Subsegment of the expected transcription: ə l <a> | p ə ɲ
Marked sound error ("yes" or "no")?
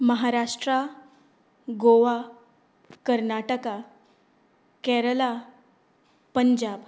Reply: no